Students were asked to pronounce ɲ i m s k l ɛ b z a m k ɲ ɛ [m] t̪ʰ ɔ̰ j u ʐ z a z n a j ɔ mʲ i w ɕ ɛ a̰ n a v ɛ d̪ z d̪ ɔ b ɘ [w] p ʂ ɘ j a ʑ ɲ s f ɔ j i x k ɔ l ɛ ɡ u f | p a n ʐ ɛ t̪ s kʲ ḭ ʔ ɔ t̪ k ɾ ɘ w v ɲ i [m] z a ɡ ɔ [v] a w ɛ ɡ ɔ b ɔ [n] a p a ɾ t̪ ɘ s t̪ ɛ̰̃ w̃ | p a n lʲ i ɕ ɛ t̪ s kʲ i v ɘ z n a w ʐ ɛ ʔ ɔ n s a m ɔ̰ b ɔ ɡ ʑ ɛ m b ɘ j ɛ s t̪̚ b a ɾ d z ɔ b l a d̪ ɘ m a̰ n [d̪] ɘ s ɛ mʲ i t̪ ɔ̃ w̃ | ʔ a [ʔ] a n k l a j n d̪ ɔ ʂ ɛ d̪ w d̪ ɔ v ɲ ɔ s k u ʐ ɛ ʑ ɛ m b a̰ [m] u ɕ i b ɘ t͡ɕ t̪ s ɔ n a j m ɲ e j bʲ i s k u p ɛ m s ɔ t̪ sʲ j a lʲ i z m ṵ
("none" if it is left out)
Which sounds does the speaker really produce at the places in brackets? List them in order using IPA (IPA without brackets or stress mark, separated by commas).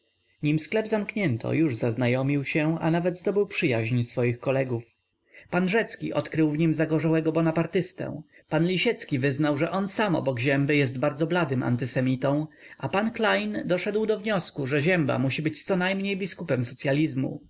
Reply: n, w, m, ʐ, n, t̪, p, m